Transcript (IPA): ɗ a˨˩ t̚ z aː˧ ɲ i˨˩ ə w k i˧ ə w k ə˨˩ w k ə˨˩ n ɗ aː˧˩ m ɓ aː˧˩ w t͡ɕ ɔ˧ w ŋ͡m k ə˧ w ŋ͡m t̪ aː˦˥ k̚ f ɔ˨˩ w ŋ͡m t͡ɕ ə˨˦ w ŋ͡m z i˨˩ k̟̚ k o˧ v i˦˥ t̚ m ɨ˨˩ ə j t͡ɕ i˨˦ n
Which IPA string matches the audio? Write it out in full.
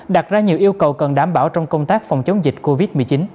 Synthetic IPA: ɗ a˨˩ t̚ z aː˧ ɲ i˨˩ ə w ʔ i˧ ə w k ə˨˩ w k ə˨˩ n ɗ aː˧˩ m ɓ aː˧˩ w t͡ɕ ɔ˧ w ŋ͡m k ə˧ w ŋ͡m t̪ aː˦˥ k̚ f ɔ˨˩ w ŋ͡m t͡ɕ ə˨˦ w ŋ͡m z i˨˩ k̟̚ k o˧ v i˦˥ t̚ m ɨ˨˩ ə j t͡ɕ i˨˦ n

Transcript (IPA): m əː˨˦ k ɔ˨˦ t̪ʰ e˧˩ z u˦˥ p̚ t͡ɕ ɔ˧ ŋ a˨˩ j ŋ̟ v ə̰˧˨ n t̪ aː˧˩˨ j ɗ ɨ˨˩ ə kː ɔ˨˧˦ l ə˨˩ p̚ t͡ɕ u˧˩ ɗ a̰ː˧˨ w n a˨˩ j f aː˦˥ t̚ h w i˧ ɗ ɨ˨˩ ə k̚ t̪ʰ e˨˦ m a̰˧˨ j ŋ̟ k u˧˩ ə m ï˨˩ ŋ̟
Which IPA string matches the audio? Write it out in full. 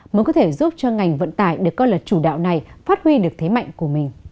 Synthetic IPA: m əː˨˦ k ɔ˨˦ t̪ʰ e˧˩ z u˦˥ p̚ t͡ɕ ɔ˧ ŋ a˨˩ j ŋ̟ v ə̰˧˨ n t̪ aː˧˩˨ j ɗ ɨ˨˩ ə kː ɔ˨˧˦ l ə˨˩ t̚ t͡ɕ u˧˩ ɗ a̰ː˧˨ w n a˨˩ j f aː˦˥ t̚ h w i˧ ɗ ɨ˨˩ ə k̚ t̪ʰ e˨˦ m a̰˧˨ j ŋ̟ k u˧˩ ə m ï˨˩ ŋ̟

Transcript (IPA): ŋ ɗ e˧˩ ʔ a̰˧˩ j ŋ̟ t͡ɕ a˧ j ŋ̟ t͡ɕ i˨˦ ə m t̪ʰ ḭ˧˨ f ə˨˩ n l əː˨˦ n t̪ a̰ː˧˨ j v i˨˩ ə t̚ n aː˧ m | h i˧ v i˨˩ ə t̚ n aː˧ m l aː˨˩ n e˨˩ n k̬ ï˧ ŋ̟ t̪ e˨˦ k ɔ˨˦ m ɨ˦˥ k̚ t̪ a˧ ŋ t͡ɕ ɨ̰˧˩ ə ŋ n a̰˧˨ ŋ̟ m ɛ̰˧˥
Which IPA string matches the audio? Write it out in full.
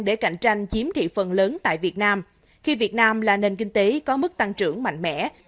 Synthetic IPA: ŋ ɗ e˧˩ k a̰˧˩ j ŋ̟ t͡ɕ a˧ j ŋ̟ t͡ɕ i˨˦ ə m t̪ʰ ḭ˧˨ f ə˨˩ n l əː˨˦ n t̪ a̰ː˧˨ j v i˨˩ ə t̚ n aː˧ m | x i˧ v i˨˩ ə t̚ n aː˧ m l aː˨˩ n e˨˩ n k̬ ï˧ ŋ̟ t̪ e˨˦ k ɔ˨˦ m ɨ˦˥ k̚ t̪ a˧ ŋ t͡ɕ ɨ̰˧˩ ə ŋ m a̰˧˨ ŋ̟ m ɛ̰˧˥

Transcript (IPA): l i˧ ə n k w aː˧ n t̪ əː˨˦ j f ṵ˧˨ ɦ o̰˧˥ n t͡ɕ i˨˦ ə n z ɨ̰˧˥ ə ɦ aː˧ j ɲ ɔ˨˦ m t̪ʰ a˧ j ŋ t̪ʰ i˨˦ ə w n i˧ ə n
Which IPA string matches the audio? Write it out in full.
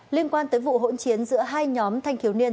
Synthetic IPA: l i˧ ə n k w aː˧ n t̪ əː˨˦ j v ṵ˧˨ ɦ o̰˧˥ n t͡ɕ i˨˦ ə n z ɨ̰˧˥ ə ɦ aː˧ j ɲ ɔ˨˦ m t̪ʰ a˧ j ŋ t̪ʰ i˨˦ ə w n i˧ ə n

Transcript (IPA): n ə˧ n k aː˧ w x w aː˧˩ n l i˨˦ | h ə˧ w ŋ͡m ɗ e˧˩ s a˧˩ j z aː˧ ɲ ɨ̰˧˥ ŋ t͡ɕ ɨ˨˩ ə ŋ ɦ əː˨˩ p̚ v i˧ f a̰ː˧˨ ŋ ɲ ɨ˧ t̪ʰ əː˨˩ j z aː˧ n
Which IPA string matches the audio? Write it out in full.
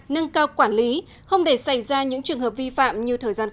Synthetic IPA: n ə˧ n k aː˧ w k w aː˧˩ n l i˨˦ | x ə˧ w ŋ͡m ɗ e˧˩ s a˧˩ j z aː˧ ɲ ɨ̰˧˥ ŋ t͡ɕ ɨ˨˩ ə ŋ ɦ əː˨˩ p̚ v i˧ f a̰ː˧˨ m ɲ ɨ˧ t̪ʰ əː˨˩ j z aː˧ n

